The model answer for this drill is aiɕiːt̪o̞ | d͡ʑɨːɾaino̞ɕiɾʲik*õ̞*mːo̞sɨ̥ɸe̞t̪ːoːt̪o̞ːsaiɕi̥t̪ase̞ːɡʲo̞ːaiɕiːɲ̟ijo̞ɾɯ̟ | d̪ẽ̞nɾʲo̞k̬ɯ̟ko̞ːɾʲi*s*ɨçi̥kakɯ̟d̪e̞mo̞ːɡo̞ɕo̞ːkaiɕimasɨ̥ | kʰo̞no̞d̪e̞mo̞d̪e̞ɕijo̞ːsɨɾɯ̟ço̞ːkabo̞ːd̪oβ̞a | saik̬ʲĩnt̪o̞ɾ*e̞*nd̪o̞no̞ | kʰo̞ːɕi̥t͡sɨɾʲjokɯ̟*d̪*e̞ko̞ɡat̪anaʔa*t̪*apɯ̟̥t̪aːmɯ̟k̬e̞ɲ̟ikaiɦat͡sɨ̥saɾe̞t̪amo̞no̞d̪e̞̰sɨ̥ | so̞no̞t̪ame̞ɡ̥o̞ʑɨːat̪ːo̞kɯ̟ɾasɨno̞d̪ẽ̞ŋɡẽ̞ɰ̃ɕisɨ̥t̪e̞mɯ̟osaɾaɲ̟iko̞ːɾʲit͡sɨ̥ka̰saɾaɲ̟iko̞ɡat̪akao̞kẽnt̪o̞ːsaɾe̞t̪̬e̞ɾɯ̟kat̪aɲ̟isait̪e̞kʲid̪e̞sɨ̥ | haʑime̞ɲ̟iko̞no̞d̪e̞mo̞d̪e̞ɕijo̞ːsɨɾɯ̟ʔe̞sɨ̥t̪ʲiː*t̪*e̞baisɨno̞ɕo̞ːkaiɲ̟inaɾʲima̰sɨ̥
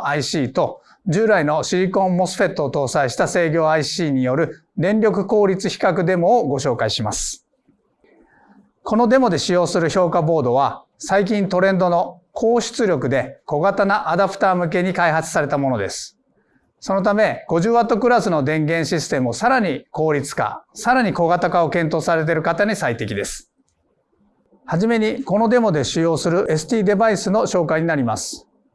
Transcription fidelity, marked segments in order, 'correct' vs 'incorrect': correct, incorrect, incorrect, correct, incorrect, incorrect

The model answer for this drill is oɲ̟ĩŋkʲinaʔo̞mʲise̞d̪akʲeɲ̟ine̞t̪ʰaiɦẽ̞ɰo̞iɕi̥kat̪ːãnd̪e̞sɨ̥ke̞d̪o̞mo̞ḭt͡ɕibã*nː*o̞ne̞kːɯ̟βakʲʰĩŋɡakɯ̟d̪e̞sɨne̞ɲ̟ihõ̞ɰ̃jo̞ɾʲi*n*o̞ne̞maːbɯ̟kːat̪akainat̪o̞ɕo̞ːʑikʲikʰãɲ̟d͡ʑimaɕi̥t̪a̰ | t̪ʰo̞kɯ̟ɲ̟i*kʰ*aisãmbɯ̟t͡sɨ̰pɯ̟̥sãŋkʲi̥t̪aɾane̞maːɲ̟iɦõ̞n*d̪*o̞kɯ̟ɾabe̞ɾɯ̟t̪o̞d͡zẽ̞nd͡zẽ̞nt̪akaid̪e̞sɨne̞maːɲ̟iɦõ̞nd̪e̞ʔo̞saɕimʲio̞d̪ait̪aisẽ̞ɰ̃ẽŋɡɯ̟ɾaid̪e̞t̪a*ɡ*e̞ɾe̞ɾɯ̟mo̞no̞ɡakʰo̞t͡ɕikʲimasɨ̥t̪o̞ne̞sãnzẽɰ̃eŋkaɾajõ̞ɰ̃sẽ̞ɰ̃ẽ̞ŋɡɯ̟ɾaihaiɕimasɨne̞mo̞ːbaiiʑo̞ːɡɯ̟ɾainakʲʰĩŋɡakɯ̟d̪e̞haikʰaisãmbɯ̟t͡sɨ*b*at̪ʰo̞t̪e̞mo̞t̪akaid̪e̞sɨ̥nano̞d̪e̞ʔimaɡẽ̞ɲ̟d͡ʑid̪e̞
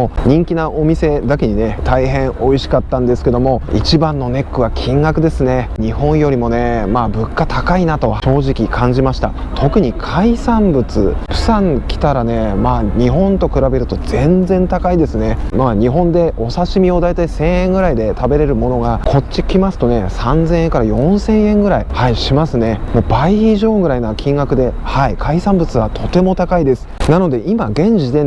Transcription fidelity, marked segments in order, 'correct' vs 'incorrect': correct, incorrect, correct, incorrect, incorrect, incorrect

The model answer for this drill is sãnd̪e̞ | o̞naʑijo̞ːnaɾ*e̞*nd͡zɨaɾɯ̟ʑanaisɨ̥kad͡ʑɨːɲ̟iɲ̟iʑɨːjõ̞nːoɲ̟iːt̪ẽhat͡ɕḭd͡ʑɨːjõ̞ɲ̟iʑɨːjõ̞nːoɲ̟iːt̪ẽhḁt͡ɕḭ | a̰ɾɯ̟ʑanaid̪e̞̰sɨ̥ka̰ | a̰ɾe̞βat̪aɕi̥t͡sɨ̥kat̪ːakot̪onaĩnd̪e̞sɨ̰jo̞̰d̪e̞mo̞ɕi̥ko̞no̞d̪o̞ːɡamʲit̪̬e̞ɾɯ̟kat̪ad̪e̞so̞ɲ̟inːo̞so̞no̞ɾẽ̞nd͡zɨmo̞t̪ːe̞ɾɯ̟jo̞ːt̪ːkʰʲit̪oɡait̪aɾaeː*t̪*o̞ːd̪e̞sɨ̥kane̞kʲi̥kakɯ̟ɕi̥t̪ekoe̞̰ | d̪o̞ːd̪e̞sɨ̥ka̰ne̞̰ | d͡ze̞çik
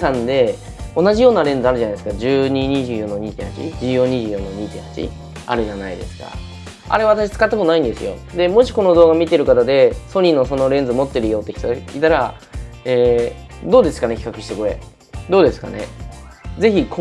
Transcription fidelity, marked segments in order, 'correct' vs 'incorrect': incorrect, incorrect

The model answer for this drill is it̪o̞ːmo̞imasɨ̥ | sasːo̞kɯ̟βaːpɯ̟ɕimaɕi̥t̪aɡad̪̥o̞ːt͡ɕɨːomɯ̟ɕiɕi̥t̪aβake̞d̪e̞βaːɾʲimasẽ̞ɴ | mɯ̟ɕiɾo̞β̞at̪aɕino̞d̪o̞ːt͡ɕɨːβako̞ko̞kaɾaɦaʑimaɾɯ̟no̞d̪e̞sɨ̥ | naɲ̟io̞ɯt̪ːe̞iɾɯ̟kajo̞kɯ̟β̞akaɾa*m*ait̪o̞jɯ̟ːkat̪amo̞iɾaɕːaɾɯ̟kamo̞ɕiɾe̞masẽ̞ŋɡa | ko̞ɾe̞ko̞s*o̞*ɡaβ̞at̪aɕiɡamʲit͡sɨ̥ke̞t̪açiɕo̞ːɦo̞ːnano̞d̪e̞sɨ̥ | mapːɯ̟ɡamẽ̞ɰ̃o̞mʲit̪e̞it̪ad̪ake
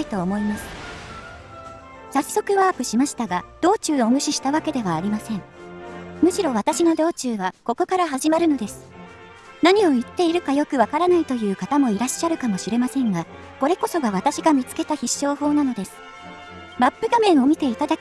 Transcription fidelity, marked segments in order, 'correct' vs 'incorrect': incorrect, correct

